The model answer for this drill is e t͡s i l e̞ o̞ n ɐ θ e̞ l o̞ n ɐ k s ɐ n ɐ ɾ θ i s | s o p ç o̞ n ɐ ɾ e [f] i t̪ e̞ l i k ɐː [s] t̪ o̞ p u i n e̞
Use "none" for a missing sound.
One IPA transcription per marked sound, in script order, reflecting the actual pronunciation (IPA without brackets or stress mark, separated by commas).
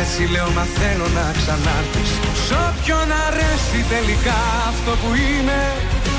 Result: s, f